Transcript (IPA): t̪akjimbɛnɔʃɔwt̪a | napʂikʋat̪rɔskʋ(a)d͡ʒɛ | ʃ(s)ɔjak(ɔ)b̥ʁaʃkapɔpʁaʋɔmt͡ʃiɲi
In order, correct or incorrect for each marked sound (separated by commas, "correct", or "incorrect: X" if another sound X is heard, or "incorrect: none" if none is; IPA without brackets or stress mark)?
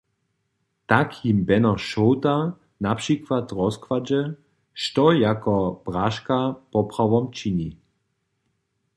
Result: correct, incorrect: t, correct